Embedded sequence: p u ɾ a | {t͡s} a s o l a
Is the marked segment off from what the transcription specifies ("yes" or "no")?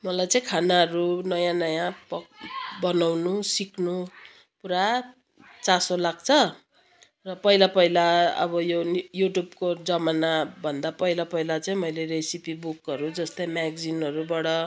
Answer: no